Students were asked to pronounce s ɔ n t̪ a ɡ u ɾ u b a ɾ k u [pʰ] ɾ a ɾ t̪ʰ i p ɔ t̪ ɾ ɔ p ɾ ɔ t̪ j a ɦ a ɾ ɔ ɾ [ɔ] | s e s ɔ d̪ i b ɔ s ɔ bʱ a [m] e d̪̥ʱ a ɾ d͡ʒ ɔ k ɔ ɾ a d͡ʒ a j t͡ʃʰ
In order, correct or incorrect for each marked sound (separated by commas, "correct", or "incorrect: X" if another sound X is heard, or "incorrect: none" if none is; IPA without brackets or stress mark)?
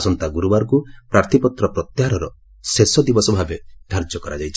incorrect: p, correct, incorrect: b